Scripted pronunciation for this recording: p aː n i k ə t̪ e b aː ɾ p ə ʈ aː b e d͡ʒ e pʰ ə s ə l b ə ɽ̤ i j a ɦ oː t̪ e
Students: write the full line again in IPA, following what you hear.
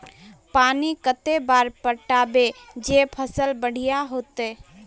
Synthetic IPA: p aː n i k ə t̪ e b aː ɾ p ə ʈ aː b e d͡ʒ e pʰ ə s ə l b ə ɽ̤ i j a ɦ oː t̪ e